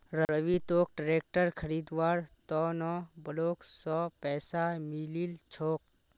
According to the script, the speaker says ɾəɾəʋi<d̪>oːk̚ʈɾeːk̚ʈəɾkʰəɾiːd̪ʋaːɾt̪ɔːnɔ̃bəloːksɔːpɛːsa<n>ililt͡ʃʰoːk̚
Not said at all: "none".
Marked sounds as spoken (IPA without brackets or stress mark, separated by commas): t̪, m